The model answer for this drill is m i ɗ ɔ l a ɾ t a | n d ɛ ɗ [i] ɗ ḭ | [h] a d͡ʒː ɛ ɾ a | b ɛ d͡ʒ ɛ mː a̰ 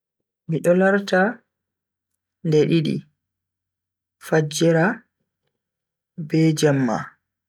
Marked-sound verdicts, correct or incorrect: correct, incorrect: f

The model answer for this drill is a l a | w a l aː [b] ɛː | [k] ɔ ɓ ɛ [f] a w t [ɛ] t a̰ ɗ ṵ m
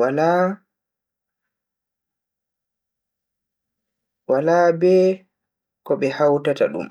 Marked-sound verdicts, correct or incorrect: correct, correct, incorrect: h, incorrect: a

